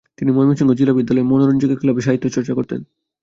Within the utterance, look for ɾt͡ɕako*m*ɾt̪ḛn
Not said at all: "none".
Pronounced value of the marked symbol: none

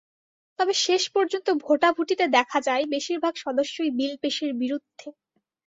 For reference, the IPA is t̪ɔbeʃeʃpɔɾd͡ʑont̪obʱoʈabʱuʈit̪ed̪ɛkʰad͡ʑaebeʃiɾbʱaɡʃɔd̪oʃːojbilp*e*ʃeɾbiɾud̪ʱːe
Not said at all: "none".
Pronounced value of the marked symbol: e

